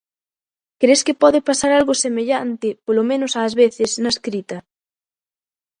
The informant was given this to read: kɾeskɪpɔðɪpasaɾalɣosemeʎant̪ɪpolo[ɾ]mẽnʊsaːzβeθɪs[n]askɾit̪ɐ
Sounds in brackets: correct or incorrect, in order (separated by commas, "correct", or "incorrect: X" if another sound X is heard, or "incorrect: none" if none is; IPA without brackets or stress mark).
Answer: incorrect: none, correct